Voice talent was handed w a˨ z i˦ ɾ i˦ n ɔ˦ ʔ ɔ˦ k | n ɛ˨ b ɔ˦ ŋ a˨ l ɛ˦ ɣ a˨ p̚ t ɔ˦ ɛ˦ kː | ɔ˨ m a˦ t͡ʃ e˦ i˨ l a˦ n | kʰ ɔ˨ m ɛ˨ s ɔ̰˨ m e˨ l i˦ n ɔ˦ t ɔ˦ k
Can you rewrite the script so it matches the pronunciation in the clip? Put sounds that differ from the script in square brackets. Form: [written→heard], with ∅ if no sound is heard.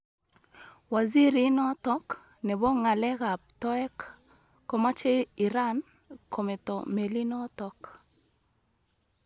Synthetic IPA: w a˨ z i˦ ɾ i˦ n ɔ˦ [ʔ→t] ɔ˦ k | n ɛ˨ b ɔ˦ ŋ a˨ l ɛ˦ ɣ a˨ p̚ t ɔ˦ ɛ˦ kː | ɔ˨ m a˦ t͡ʃ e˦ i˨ [l→ɾ] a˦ n | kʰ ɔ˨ m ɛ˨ [s→t] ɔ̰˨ m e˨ l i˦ n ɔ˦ t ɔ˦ k